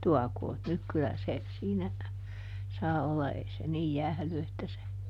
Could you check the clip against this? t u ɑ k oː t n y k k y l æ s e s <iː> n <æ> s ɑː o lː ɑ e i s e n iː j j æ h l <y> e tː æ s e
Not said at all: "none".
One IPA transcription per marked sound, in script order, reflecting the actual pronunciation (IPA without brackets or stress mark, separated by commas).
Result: iː, æ, y